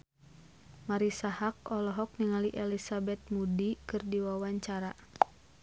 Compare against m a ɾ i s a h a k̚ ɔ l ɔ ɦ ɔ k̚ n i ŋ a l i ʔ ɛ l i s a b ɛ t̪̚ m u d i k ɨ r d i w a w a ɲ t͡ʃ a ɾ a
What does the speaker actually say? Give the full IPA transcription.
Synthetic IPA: m a ɾ i s a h a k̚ ɔ l ɔ ɦ ɔ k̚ n i ŋ a l i ʔ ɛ l i s a b ɛ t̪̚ m u d i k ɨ r d i w a w a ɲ t͡ʃ a ɾ a